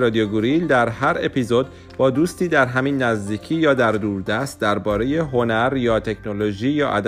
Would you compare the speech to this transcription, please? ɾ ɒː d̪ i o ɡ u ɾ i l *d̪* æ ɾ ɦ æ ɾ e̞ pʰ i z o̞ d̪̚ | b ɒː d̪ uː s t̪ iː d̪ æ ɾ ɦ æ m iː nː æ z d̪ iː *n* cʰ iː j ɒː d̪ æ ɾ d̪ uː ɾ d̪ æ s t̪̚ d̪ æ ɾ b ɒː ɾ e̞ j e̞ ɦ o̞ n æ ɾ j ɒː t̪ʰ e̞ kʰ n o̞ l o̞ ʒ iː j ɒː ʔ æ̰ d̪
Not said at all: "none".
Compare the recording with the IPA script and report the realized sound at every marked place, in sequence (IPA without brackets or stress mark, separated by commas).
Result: d̪, none